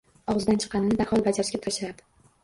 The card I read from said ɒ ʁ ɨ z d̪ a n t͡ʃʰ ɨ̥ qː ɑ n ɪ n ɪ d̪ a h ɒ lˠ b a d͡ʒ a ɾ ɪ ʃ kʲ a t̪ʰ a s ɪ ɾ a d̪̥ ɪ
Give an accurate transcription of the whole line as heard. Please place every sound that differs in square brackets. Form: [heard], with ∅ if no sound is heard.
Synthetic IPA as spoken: ɒ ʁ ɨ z d̪ a n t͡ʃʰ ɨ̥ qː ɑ n ɪ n ɪ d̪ a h ɒ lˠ b a d͡ʒ a ɾ ɪ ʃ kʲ a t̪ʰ a [ʃ] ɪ ɾ a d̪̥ ɪ